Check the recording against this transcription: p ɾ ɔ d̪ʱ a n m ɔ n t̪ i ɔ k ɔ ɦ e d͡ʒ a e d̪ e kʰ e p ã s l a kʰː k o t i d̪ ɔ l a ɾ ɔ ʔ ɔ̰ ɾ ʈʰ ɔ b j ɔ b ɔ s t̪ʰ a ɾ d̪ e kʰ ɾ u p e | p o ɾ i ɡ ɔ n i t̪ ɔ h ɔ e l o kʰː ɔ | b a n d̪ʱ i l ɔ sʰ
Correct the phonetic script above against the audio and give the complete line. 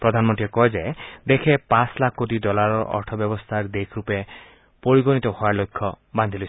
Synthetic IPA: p ɾ ɔ d̪ʱ a n m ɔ n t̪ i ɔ k ɔ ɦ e d͡ʒ a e d̪ e kʰ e p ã s l a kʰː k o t i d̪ ɔ l a ɾ ɔ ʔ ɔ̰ ɾ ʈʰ ɔ b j ɔ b ɔ s t̪ʰ a ɾ d̪ e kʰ ɾ u p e | p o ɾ i ɡ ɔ n i t̪ ɔ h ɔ a l o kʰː ɔ | b a n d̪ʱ i l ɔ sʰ